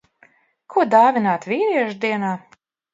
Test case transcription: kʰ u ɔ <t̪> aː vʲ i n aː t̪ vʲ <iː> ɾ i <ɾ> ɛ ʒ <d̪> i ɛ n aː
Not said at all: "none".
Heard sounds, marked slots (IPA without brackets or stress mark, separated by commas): d̪, iː, none, d̪